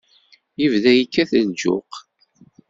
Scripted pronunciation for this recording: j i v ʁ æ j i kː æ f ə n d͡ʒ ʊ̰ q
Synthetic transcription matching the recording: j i v ð æ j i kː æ θ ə n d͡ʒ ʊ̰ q